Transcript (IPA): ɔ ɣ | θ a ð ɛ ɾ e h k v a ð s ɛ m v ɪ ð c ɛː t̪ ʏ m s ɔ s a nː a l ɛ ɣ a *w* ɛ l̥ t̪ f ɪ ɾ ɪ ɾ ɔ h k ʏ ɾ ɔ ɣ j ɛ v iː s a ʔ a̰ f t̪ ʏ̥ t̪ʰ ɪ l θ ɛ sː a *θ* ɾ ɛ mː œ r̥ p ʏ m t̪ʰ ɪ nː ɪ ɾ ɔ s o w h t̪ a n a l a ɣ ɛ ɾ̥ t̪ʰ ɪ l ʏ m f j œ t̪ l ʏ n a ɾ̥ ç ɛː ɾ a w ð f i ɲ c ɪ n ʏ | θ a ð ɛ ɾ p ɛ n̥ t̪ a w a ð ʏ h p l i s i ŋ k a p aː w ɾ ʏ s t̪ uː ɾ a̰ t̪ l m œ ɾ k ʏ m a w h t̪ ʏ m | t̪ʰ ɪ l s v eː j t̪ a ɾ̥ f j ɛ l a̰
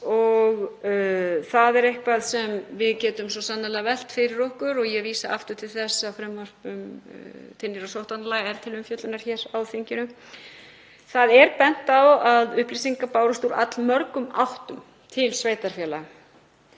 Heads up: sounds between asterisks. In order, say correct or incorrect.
incorrect: v, incorrect: f

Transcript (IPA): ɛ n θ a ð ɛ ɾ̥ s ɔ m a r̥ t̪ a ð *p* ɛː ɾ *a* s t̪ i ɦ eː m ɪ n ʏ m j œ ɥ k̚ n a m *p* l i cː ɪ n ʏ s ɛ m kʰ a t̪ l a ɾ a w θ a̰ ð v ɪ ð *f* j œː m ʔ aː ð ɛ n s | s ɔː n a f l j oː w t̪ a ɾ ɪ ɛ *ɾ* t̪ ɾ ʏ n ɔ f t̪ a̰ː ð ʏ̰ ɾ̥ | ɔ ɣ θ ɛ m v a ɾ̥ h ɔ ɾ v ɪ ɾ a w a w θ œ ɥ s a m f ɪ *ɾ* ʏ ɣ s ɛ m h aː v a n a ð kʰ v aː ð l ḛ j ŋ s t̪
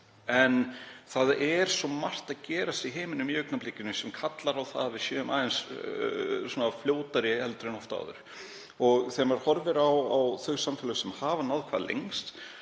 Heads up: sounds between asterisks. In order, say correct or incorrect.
incorrect: c, correct, correct, incorrect: s, incorrect: l, incorrect: l

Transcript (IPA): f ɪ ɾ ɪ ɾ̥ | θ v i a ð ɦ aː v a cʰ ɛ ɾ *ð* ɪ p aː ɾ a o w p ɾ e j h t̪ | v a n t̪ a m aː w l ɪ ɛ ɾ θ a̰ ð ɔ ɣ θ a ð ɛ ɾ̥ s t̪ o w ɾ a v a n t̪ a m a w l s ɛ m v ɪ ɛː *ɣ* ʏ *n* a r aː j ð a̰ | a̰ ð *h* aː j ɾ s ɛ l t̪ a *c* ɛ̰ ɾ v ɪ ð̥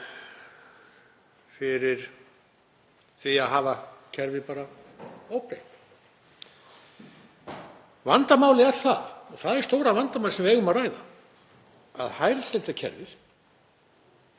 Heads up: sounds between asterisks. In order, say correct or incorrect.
incorrect: v, correct, incorrect: m, correct, incorrect: cʰ

